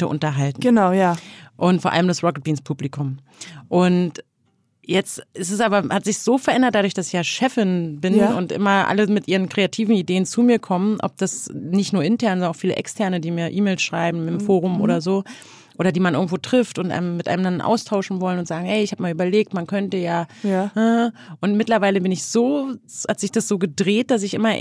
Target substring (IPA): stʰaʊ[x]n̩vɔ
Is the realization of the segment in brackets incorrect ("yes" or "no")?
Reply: yes